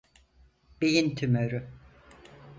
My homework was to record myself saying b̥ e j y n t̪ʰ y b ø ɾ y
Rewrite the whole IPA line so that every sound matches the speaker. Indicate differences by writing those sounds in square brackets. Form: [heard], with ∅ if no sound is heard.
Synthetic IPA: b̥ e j [i] n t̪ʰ y [m] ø ɾ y